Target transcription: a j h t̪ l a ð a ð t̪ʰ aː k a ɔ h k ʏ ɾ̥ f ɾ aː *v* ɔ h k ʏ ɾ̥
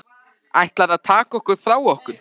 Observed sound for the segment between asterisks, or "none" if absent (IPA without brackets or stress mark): w